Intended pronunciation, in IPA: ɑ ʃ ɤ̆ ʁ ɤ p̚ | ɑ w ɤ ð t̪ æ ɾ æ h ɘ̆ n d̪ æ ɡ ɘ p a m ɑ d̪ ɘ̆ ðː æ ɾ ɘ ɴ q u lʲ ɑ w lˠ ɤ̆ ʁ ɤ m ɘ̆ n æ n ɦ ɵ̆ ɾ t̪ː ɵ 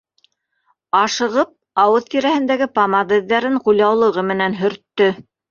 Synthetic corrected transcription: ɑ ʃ ɤ̆ ʁ ɤ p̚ | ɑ w ɤ ð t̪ i ɾ æ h ɘ̆ n d̪ æ ɡ ɘ p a m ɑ d̪ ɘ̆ ðː æ ɾ ɘ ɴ q u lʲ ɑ w lˠ ɤ̆ ʁ ɤ m ɘ̆ n æ n ɦ ɵ̆ ɾ t̪ː ɵ